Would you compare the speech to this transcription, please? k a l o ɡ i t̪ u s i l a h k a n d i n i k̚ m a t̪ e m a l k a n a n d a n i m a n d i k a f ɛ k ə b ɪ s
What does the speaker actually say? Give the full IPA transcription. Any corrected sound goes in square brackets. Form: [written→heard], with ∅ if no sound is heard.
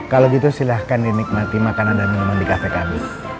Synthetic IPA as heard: k a l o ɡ i t̪ u s i l a h k a n d i n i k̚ m a t̪ [e→i] m a [l→∅] k a n a n d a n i m a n d i k a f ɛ k [ə→a] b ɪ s

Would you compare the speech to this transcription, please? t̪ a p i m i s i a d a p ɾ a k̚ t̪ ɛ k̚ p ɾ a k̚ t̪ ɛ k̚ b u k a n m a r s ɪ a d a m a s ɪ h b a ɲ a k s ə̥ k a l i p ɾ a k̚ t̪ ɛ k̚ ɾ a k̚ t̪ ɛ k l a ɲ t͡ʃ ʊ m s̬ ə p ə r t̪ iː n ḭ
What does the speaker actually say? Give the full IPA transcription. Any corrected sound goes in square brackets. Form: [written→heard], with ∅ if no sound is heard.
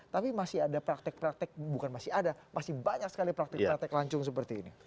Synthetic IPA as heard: t̪ a p i m [i→a] s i a d a p ɾ a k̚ t̪ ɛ k̚ p ɾ a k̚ t̪ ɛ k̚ b u k a n m a [r→∅] s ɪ a d a m a s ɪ h b a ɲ a k s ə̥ k a l i p ɾ a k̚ t̪ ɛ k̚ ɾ a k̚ t̪ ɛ k l a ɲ t͡ʃ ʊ [m→ŋ] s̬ ə p ə r t̪ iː n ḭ

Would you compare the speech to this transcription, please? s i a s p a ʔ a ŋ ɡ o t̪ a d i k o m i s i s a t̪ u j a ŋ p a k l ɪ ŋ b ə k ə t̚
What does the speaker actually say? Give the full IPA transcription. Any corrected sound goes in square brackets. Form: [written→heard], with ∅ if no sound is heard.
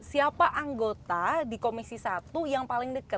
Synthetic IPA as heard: s i a [s→∅] p a ʔ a ŋ ɡ o t̪ a d i k o m i s i s a t̪ u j a ŋ p a [k→∅] l ɪ ŋ [b→d] ə k ə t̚

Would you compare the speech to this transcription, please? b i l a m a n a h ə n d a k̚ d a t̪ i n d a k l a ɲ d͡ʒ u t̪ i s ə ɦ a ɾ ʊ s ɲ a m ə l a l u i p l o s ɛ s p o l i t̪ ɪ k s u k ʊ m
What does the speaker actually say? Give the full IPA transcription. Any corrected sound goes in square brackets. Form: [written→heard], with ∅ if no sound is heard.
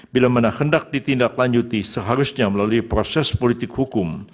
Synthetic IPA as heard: b i l a m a n a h ə n d a k̚ d [a→i] t̪ i n d a k l a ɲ d͡ʒ u t̪ i s ə ɦ a ɾ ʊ s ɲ a m ə l a l u i p [l→ɾ] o s ɛ s p o l i t̪ ɪ k [s→h] u k ʊ m

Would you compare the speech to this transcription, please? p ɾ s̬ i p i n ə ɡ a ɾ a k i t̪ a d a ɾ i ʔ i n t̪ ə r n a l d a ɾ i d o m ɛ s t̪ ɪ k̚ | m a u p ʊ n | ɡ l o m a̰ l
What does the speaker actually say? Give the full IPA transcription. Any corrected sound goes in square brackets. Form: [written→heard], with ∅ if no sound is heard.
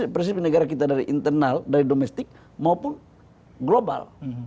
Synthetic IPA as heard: p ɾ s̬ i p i n ə ɡ a ɾ a k i t̪ a d a ɾ i ʔ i n t̪ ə r n a l d a ɾ i d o m ɛ s t̪ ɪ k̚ | m a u p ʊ n | ɡ l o [m→b] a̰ l

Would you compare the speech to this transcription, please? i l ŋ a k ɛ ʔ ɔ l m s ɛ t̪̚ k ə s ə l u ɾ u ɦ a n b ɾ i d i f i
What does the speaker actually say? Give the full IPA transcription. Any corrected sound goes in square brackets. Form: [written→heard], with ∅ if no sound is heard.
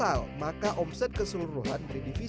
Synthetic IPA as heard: [i→a] l [ŋ→m] a k [ɛ→a] ʔ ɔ [l→∅] m s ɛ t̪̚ k ə s ə l u ɾ u ɦ a n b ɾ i d i f i

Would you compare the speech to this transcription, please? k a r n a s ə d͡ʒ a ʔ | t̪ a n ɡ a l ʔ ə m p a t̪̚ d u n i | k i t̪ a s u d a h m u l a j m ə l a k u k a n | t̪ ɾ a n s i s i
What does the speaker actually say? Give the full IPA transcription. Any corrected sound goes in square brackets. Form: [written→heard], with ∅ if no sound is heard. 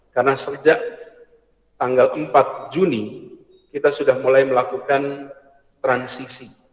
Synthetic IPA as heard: k a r n a s ə d͡ʒ a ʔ | t̪ a [n→ŋ] ɡ a l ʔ ə m p a t̪̚ [d→d͡ʒ] u n i | k i t̪ a s u d a h m u l a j m ə l a k u k a n | t̪ ɾ a n s i s i

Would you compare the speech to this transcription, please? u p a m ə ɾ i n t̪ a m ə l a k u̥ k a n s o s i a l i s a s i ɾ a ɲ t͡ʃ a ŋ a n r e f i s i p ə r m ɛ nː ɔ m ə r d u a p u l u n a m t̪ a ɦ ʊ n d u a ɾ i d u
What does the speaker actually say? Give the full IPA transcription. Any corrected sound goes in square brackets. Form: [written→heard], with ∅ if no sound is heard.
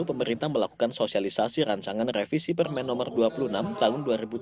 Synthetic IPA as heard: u p [a→ə] m ə ɾ i n t̪ a m ə l a k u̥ k a n s o s i a l i s a s i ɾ a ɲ t͡ʃ a ŋ a n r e f i s i p ə r m ɛ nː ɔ m ə r d u a p u l u n a m t̪ a ɦ ʊ n d u a ɾ i [d→b] u

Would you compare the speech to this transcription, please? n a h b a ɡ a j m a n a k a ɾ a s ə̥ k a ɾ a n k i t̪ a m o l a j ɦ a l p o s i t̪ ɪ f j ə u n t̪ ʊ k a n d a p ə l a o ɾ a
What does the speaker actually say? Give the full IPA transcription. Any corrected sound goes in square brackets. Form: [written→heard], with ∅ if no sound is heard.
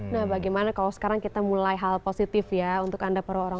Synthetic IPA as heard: n a h b a ɡ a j m a n a k a [ɾ→l] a s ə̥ k a ɾ a [n→ŋ] k i t̪ a m [o→u] l a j ɦ a l p o s i t̪ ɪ f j [ə→a] u n t̪ ʊ k a n d a p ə [l→ɾ] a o ɾ a

